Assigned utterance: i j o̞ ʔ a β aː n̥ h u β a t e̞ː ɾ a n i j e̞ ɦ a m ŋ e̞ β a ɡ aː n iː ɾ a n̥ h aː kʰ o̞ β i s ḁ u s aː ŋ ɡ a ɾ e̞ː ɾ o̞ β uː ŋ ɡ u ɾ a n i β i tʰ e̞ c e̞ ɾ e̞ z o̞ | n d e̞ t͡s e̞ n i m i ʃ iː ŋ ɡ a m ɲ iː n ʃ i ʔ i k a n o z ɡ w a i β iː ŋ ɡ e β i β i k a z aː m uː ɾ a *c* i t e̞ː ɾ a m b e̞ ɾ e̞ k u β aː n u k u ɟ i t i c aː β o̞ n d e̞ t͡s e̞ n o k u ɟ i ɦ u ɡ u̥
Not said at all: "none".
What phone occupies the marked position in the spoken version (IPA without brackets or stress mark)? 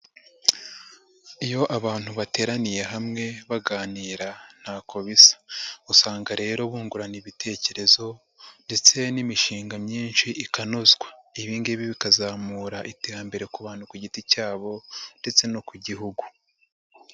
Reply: ʔ